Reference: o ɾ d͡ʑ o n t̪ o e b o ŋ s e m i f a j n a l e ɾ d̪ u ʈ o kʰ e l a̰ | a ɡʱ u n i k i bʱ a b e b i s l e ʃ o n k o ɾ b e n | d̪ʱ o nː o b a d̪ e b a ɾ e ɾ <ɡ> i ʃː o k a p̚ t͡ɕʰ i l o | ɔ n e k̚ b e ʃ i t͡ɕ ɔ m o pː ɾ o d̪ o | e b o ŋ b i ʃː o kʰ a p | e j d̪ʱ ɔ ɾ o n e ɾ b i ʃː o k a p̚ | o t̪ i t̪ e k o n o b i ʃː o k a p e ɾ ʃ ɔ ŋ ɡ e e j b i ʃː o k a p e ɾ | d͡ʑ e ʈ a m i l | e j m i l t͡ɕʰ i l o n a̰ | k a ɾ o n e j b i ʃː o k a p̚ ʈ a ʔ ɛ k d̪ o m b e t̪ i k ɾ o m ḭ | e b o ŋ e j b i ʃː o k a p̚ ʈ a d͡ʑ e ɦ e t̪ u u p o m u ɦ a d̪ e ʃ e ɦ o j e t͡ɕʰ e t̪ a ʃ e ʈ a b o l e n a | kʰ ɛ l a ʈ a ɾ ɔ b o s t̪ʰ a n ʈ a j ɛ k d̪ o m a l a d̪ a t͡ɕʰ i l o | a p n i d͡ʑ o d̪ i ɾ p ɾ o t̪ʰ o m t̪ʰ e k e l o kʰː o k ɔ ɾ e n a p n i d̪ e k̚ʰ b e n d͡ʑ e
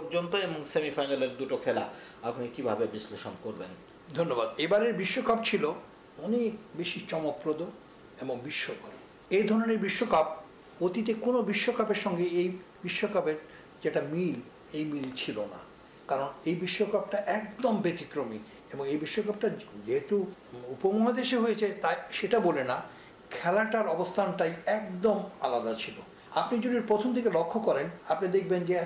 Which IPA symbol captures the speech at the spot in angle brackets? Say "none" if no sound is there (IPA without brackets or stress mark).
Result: b